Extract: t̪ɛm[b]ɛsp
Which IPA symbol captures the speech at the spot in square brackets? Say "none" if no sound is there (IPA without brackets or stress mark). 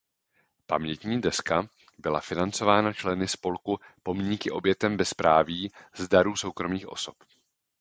b